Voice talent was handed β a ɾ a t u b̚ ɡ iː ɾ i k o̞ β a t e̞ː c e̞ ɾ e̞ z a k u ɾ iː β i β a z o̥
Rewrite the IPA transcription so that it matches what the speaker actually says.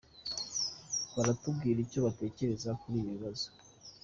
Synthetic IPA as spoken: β a ɾ a t u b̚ ɡ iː ɾ i c o̞ β a t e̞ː c e̞ ɾ e̞ z a k u ɾ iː β i β a z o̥

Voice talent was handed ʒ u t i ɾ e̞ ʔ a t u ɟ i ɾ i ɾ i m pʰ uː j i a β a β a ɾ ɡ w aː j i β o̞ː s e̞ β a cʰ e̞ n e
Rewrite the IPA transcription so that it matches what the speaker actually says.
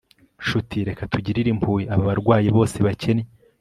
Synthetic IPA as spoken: ʃ u t i ɾ e̞ k a t u ɟ i ɾ i ɾ i m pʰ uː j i a β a β a ɾ ɡ w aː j i β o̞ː s e̞ β a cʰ e̞ n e

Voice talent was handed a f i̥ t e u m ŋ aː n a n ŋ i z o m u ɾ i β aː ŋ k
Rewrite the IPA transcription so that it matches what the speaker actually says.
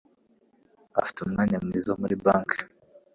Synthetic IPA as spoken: a f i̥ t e u m ŋ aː ɲ a m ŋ i z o m u ɾ i b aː ŋ k

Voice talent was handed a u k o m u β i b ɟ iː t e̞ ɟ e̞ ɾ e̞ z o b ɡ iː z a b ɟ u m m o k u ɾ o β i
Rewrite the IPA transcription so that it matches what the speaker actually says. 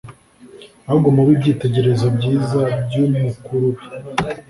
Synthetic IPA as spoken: a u ɡ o m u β i b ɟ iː t e̞ ɟ e̞ ɾ e̞ z o b ɟ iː z a b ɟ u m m u k u ɾ u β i

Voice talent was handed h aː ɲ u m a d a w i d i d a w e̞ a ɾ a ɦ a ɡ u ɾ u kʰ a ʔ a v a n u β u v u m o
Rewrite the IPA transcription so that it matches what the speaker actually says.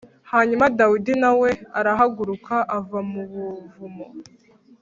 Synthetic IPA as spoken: h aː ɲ u m a d a w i d i n a w e̞ a ɾ a ɦ a ɡ u ɾ u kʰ a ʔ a v a m u β u v u m o

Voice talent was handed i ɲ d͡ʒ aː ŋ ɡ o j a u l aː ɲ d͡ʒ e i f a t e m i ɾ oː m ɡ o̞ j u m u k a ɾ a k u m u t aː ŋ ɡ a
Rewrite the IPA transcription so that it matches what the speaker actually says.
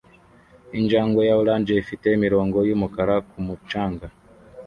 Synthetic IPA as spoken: i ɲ d͡ʒ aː ŋ ɡ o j a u l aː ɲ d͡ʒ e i f i t e m i ɾ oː ŋ ɡ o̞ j u m u k a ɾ a k u m u t͡ʃ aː ŋ ɡ a

